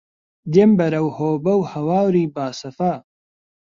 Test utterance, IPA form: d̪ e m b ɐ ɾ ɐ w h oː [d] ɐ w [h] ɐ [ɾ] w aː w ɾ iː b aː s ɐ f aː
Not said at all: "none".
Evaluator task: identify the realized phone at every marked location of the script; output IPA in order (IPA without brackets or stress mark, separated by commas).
b, h, none